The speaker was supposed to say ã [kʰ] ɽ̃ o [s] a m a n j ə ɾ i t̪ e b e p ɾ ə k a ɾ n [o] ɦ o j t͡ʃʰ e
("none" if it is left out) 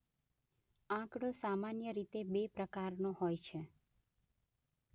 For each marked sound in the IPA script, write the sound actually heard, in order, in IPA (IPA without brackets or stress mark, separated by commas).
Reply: k, s, o